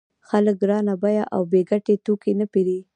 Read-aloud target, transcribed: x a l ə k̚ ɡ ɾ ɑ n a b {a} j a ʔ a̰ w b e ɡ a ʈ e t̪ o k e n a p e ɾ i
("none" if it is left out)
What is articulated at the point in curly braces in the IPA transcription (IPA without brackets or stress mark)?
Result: a